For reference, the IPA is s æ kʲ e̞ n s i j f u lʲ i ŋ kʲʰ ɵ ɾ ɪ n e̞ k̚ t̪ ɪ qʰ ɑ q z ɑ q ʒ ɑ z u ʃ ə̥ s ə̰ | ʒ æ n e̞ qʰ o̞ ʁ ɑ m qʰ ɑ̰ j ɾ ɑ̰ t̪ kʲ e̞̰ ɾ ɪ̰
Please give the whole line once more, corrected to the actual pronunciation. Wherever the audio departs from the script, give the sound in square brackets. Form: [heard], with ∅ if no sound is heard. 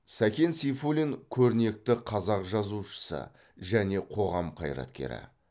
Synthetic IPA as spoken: s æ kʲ e̞ n s i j f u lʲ i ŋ kʲʰ ɵ ɾ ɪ n e̞ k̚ t̪ ɪ qʰ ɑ [∅] z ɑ q ʒ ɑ z u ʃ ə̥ s ə̰ | ʒ æ n e̞ qʰ o̞ ʁ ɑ m qʰ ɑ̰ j ɾ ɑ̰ t̪ kʲ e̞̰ ɾ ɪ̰